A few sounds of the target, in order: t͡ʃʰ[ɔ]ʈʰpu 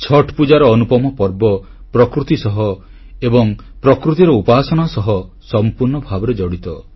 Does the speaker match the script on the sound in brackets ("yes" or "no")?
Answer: yes